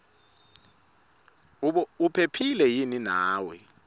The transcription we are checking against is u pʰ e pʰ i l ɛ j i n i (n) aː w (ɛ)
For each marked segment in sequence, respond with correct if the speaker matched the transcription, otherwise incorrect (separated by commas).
correct, correct